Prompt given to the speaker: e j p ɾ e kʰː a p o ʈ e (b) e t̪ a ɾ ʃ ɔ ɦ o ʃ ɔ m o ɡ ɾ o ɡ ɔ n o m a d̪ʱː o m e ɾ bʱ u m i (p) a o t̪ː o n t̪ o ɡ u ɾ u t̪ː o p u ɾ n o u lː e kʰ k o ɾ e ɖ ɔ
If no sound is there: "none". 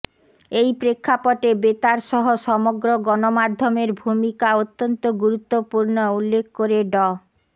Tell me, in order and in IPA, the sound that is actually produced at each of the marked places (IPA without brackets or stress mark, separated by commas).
b, k